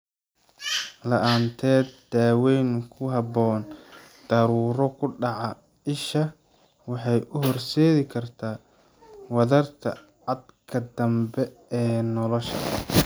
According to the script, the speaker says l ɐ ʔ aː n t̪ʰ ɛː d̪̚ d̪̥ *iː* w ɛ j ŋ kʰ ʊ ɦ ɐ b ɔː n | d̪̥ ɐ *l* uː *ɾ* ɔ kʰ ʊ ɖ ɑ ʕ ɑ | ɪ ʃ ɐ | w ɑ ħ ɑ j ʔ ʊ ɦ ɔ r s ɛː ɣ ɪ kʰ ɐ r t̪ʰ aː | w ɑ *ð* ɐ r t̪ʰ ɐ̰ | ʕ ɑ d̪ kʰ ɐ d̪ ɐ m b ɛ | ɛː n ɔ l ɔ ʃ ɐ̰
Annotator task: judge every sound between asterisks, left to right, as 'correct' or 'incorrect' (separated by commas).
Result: incorrect, incorrect, correct, correct